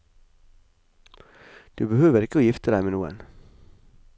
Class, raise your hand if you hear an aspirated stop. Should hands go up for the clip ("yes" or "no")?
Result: no